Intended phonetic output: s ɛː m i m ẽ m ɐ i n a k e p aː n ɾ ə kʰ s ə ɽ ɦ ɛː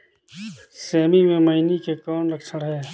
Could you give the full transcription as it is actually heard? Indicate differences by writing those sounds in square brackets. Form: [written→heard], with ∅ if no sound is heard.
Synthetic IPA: s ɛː m i m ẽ m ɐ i n [a→i] k e [p→k] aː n ɾ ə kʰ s ə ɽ ɦ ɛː